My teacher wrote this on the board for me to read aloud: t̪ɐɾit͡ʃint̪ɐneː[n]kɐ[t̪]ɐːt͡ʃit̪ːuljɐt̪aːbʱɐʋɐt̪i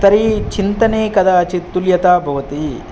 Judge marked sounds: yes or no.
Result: no, no

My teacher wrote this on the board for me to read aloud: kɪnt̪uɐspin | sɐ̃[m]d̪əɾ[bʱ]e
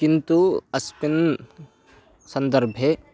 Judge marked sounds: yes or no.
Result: no, yes

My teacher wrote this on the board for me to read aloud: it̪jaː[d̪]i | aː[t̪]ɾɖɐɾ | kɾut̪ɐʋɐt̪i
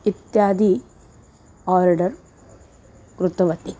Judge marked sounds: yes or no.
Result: yes, no

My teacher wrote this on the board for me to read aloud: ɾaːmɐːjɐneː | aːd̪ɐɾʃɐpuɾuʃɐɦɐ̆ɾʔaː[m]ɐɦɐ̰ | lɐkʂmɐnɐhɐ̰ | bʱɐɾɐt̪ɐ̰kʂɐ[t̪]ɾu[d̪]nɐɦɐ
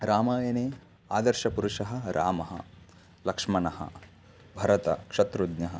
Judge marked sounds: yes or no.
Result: yes, yes, yes

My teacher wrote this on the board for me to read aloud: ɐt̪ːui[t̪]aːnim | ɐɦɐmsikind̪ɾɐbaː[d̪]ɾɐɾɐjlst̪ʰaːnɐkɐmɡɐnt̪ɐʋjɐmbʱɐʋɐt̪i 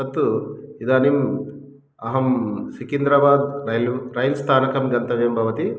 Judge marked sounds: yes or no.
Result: no, yes

